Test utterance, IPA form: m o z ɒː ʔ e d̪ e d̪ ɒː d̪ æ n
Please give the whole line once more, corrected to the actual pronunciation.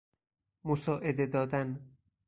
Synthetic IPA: m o s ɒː ʔ e d̪ e d̪ ɒː d̪ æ n